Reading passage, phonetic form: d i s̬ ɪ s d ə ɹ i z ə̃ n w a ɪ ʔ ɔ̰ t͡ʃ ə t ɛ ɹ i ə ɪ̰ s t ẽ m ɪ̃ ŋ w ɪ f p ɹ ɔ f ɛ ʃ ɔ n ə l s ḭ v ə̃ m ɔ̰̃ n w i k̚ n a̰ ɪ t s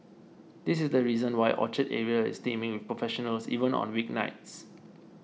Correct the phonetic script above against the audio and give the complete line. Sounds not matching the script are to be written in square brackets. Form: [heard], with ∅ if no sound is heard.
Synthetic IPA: d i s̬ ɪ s d ə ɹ i z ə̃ n w a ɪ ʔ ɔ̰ t͡ʃ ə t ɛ ɹ i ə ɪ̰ s t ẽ m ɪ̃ ŋ w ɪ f p ɹ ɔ f ɛ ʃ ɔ n ə l s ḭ v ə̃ [n] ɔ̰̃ n w i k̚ n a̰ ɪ t s